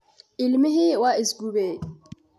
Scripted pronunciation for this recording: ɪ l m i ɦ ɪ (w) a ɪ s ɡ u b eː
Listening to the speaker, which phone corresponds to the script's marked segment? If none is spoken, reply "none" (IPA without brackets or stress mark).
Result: w